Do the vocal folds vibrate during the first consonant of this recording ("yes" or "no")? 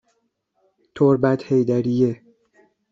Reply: no